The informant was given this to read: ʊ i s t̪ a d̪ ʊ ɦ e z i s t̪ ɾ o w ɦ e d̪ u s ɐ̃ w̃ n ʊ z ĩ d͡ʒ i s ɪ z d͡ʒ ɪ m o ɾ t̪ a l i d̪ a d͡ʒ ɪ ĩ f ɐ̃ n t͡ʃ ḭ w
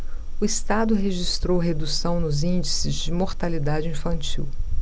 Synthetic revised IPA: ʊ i s t̪ a d̪ ʊ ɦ e ʒ i s t̪ ɾ o w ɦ e d̪ u s ɐ̃ w̃ n ʊ z ĩ d͡ʒ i s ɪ z d͡ʒ ɪ m o ɾ t̪ a l i d̪ a d͡ʒ ɪ ĩ f ɐ̃ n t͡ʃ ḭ w